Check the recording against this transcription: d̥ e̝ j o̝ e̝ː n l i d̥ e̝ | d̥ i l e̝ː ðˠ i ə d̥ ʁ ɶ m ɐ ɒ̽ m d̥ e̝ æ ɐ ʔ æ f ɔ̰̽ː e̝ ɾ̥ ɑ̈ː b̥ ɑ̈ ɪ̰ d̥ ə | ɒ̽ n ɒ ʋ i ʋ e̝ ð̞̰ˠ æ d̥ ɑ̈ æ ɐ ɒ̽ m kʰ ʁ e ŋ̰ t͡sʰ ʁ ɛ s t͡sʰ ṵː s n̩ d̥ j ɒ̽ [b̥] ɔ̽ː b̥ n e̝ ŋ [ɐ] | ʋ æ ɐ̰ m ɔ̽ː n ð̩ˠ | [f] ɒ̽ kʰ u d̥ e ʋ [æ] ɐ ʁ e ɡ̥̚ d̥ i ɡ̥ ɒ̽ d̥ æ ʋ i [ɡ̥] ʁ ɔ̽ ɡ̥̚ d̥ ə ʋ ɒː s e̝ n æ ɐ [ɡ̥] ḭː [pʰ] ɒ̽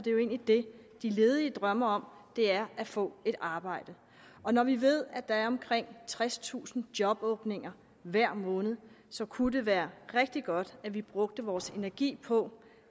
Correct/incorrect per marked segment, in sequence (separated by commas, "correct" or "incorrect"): correct, correct, incorrect, incorrect, incorrect, correct, correct